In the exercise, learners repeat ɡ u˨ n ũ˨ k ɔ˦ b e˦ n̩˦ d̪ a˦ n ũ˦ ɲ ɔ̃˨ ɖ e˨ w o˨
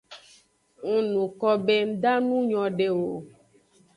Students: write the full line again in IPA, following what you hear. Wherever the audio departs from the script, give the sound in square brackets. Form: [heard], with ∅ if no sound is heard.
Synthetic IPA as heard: [ŋ] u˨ n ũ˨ k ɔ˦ b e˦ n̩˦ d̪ a˦ n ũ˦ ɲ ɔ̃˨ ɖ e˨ w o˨

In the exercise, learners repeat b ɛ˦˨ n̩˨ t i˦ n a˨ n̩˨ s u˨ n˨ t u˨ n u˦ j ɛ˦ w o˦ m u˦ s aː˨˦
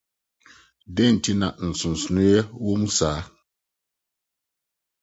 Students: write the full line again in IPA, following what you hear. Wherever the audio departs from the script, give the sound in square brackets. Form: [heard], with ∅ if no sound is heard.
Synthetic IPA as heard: [d] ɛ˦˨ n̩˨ t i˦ n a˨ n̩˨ s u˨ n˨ [s] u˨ n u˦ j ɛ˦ w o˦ m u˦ s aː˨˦

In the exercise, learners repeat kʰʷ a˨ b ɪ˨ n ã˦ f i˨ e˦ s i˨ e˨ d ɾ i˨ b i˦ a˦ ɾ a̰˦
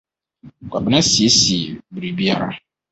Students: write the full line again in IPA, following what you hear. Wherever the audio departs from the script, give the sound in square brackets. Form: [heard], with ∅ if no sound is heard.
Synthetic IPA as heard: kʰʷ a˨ b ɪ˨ n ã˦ [s] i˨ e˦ s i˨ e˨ [b] ɾ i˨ b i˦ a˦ ɾ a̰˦

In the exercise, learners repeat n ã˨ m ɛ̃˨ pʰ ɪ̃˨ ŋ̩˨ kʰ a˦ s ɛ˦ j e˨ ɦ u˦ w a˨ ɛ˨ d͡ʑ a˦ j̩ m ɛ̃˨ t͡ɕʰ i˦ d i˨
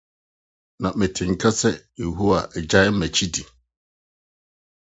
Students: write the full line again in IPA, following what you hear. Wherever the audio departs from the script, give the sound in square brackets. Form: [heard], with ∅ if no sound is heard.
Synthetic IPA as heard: n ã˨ m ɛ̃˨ [tʰ] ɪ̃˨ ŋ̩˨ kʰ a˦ s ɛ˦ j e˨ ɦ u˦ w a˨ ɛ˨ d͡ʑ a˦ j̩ m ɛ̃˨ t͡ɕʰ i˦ d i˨

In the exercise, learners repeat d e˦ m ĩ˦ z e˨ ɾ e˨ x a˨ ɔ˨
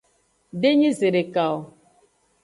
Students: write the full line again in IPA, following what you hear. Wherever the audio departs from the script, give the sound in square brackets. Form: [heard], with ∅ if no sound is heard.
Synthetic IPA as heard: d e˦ [ɲ] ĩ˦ z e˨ ɾ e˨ [k] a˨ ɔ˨

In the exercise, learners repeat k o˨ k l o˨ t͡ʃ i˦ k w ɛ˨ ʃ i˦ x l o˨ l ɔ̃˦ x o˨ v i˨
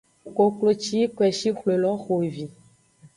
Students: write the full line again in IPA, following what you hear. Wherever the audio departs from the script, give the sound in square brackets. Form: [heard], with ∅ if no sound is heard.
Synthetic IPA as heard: k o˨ k l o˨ t͡ʃ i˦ k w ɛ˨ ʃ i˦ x l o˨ l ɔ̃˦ x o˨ v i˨

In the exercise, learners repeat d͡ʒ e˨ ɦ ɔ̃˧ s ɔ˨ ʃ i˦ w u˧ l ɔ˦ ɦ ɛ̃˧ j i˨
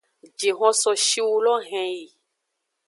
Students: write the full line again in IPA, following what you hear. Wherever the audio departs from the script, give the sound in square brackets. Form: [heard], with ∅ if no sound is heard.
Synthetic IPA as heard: d͡ʒ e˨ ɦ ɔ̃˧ s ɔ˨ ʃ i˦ w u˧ l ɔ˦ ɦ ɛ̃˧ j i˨

